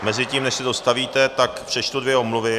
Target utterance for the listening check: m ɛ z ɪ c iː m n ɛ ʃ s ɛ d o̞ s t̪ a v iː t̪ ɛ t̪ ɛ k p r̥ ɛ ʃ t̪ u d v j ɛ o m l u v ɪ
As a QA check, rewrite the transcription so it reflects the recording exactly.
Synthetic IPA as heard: m ɛ z ɪ c iː m n ɛ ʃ s ɛ d o̞ s t̪ a v iː t̪ ɛ t̪ a k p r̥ ɛ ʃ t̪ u d v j ɛ o m l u v ɪ

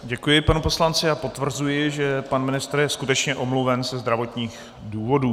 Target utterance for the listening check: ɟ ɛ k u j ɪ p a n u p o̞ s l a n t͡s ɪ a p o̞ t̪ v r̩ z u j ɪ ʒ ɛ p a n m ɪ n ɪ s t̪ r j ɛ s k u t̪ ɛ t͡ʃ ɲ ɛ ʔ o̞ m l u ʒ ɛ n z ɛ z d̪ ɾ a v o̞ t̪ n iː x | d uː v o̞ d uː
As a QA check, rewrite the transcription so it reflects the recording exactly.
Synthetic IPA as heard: ɟ ɛ k u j ɪ p a n u p o̞ s l a n t͡s ɪ a p o̞ t̪ v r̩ z u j ɪ ʒ ɛ p a n m ɪ n ɪ s t̪ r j ɛ s k u t̪ ɛ t͡ʃ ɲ ɛ ʔ o̞ m l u v ɛ n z ɛ z d̪ ɾ a v o̞ t̪ ɲ iː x | d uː v o̞ d uː

